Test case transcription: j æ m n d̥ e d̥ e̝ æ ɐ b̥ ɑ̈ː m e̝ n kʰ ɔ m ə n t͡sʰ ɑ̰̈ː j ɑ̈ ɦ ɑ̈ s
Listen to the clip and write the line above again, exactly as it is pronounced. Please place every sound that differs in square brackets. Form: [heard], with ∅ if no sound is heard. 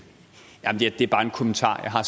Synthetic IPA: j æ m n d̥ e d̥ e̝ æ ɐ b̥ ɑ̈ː [∅] e̝ n kʰ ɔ m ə n t͡sʰ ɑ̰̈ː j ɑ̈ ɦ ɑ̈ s